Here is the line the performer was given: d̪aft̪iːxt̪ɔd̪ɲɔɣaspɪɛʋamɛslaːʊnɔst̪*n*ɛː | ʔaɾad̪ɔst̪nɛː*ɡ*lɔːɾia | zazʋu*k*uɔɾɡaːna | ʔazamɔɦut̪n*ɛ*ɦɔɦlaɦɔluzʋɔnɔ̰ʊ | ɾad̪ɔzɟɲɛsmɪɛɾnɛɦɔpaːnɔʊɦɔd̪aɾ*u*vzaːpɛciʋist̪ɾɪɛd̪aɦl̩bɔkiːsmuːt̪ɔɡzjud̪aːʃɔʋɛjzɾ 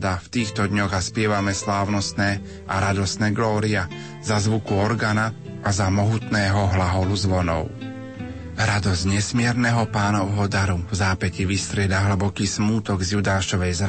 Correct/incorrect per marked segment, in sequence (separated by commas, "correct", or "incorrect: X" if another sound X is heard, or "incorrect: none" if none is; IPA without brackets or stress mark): correct, correct, correct, incorrect: ɛː, correct